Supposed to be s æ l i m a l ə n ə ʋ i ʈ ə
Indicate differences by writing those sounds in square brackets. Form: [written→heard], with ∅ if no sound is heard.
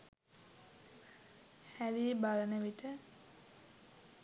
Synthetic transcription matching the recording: [s→h] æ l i [m→b] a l ə n ə ʋ i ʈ ə